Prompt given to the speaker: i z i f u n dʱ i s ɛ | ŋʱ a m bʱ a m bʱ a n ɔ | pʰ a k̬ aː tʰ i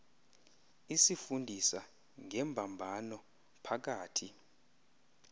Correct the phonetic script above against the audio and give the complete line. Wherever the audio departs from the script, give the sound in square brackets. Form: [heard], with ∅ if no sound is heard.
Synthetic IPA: i [s] i f u n dʱ i s [a] | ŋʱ [ɛ] m bʱ a m bʱ a n ɔ | pʰ a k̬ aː tʰ i